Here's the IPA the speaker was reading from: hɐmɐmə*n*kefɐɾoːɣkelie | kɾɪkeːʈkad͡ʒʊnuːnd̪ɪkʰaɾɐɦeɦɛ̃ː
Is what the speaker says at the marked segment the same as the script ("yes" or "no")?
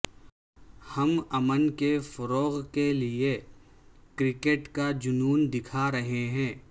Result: yes